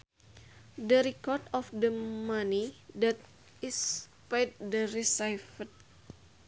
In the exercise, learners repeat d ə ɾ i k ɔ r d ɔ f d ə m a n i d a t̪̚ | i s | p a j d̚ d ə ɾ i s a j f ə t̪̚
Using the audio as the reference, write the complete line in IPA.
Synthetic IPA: d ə ɾ i k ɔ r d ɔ f d ə m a n i d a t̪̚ | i s | p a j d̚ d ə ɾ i s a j f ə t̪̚

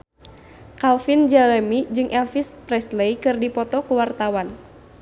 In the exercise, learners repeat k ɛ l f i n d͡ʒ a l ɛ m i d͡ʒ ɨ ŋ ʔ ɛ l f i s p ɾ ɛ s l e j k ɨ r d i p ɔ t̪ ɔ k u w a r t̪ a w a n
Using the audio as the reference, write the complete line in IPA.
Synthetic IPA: k a l f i n d͡ʒ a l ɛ m i d͡ʒ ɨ ŋ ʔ ɛ l f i s p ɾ ɛ s l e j k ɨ r d i p ɔ t̪ ɔ k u w a r t̪ a w a n

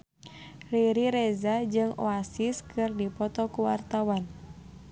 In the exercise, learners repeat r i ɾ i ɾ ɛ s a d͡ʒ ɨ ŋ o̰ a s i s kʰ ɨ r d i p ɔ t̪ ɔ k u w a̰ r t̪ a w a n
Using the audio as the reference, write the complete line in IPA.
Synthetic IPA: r i ɾ i ɾ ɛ z a d͡ʒ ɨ ŋ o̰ a s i s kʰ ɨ r d i p ɔ t̪ ɔ k u w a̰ r t̪ a w a n

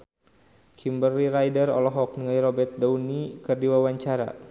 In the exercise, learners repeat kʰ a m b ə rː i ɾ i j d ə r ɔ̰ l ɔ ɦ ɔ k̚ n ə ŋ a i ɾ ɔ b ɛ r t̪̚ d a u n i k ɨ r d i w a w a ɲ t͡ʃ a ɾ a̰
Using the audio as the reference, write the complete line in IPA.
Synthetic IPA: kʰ i m b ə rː i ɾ a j d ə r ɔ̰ l ɔ ɦ ɔ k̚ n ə ŋ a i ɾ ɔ b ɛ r t̪̚ d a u n i k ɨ r d i w a w a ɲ t͡ʃ a ɾ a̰

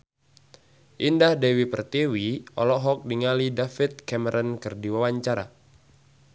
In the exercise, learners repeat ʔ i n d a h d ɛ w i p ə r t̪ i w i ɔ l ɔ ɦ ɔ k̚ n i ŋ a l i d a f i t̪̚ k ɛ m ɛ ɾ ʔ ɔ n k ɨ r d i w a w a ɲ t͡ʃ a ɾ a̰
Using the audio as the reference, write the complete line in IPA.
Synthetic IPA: ʔ i n d a h d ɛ w i p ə r t̪ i w i ɔ l ɔ ɦ ɔ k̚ d i ŋ a l i d a f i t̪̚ k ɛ m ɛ ɾ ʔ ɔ n k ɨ r d i w a w a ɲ t͡ʃ a ɾ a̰

